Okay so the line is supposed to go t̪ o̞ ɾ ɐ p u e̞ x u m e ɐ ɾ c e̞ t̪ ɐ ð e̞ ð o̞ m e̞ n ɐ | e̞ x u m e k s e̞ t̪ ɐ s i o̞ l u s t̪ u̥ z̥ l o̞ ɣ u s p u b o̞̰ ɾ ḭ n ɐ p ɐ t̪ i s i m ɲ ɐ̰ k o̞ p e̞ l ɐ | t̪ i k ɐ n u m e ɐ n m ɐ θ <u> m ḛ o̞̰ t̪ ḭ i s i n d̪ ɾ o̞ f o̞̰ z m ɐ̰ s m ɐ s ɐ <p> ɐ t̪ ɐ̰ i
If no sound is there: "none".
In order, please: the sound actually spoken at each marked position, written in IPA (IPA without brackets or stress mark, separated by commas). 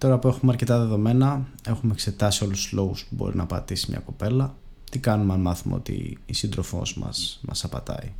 u, p